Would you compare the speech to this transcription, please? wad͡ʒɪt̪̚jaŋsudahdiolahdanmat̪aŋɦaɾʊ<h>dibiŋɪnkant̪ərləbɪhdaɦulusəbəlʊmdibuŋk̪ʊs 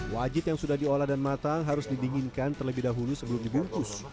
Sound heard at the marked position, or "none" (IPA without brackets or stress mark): s